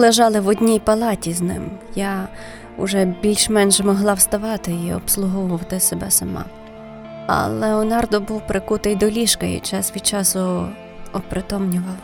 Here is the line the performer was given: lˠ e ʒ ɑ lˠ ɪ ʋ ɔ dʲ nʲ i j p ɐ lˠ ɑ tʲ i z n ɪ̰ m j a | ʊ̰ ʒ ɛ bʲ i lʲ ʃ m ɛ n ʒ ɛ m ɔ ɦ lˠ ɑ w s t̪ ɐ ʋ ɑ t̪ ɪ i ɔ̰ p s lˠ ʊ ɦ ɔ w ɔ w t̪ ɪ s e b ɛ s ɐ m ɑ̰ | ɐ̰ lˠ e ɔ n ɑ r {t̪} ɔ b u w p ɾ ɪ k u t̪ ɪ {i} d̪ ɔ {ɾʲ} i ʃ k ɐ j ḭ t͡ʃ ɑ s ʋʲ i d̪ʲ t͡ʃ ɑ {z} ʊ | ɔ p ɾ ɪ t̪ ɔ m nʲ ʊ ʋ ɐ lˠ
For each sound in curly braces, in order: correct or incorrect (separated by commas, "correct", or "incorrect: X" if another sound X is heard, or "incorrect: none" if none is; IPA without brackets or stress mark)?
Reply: incorrect: d̪, incorrect: j, incorrect: lʲ, incorrect: s